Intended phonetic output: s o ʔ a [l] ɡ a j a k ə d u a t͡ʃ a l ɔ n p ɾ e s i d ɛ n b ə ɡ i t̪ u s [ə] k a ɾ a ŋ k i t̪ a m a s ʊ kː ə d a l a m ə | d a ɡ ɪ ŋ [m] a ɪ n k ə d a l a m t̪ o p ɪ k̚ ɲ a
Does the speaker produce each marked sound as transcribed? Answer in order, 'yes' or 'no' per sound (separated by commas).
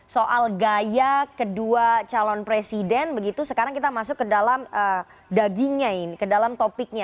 yes, yes, no